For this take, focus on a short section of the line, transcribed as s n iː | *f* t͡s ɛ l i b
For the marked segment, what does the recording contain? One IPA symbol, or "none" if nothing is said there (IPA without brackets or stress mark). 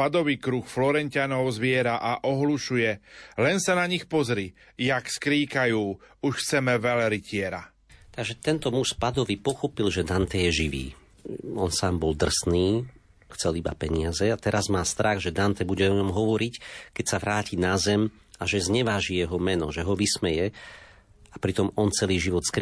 x